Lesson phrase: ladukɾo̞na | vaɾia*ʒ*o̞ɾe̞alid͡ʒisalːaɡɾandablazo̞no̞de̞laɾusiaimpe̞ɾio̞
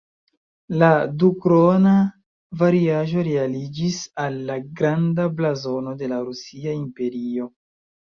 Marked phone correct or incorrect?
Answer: correct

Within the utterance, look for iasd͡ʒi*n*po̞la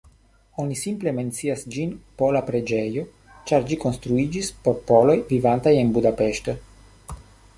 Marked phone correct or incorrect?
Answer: correct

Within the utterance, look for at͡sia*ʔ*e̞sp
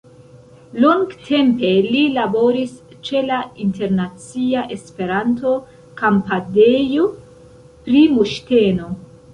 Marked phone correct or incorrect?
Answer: correct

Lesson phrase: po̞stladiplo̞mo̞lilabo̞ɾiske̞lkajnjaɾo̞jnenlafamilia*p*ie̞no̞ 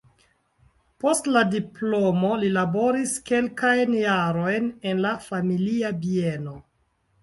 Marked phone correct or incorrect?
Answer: incorrect: b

